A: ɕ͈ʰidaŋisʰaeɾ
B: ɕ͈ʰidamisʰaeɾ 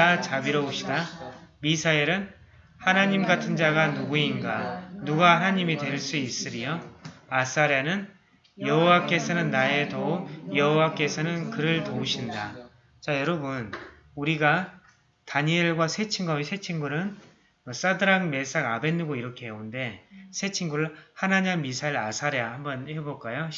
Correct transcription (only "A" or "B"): B